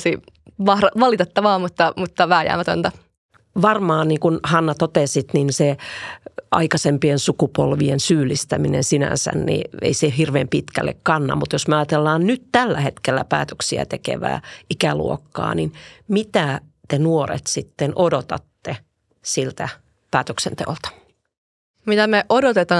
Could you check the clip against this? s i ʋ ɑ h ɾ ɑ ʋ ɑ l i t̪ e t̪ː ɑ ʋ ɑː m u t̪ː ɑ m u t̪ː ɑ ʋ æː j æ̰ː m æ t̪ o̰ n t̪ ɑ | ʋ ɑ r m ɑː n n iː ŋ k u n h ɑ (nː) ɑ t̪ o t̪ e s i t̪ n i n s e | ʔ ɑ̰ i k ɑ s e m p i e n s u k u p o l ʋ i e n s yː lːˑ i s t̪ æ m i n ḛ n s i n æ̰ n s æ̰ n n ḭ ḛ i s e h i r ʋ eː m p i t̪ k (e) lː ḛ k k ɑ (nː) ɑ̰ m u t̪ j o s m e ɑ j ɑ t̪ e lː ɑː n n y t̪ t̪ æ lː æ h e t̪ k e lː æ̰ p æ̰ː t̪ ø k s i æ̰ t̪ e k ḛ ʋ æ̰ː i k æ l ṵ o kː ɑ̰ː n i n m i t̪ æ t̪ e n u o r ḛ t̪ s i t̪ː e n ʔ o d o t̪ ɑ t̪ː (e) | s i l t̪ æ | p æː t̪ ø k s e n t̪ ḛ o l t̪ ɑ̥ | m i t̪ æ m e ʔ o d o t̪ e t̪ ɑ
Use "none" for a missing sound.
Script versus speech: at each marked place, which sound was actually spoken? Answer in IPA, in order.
nː, æ, nː, e

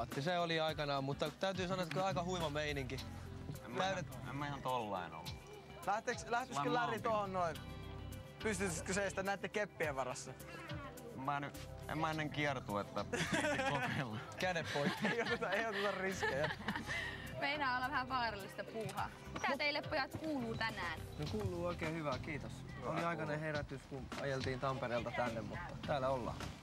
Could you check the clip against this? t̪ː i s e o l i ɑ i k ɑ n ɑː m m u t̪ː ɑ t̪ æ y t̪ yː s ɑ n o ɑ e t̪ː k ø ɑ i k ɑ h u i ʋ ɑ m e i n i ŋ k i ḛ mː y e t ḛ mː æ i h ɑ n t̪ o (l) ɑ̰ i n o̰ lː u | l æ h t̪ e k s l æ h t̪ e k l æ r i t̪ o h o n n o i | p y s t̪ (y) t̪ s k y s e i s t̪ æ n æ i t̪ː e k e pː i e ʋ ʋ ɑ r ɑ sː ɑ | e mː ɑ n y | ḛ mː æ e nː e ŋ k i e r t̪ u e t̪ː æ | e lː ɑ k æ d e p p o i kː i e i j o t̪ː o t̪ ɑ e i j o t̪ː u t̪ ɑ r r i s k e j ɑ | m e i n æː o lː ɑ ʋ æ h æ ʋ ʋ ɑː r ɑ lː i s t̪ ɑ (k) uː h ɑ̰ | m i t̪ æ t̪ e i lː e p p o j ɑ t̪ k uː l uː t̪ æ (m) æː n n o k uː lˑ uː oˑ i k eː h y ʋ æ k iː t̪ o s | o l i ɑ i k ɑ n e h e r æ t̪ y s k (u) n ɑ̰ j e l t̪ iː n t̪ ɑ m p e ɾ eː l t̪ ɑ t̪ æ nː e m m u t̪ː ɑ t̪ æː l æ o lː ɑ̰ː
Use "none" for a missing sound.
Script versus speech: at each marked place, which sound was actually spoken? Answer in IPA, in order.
lː, y, p, n, u

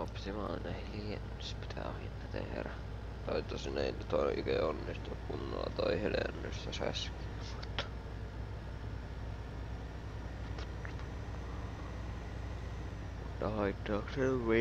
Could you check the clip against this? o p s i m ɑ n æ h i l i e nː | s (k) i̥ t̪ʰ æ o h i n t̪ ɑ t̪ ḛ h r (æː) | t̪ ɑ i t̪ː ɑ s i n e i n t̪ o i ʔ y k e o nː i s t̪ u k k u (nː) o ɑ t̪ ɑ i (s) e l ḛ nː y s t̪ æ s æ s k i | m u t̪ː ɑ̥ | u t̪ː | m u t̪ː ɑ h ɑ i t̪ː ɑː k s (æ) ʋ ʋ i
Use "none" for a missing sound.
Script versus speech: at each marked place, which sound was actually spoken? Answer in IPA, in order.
p, æ, nː, h, e

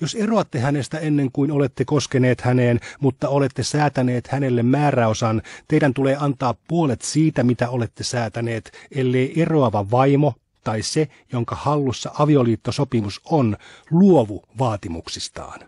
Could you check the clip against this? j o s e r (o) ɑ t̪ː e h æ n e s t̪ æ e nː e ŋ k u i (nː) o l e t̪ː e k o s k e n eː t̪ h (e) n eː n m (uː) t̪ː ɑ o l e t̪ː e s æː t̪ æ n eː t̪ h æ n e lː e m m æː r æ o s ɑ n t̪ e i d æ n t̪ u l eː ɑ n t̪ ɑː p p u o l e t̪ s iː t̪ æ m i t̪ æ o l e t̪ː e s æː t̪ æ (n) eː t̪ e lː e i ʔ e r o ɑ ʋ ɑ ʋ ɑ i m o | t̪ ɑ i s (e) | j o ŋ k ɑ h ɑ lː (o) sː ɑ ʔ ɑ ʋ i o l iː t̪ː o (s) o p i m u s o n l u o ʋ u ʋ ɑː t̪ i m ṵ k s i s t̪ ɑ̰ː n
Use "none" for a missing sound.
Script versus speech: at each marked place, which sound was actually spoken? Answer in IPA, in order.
o, n, æ, u, n, e, u, s

